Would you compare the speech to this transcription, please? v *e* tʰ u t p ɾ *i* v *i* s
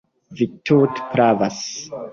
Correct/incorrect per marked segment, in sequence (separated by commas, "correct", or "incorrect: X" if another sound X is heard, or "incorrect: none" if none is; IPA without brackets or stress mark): incorrect: i, incorrect: a, incorrect: a